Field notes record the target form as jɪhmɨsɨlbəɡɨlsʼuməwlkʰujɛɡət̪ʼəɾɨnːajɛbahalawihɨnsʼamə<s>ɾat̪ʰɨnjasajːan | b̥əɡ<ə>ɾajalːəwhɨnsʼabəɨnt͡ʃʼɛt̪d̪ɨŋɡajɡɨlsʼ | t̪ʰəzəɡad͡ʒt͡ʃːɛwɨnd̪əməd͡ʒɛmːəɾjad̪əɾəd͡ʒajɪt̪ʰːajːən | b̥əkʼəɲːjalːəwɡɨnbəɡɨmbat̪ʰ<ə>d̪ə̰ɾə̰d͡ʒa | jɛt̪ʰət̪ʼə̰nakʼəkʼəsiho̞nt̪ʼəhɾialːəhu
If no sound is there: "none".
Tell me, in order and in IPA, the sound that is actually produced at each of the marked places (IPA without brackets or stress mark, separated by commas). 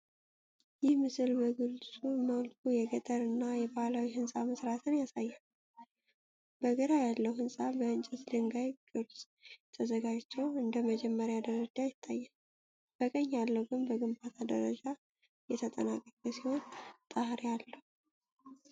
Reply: s, ə, a